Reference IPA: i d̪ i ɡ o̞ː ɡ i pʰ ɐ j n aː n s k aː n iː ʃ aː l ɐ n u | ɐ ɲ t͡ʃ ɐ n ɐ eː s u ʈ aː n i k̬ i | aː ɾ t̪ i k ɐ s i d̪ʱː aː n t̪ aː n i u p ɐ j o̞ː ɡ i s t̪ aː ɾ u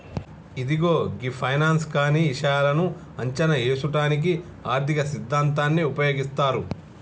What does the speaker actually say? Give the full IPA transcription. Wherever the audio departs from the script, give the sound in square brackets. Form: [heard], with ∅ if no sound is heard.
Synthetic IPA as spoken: i d̪ i ɡ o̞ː ɡ i pʰ ɐ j n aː n s k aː n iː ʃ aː l ɐ n u | ɐ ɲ t͡ʃ ɐ n ɐ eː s u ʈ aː n i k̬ i | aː ɾ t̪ i k ɐ s i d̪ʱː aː n t̪ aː [nː] i u p ɐ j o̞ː ɡ i s t̪ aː ɾ u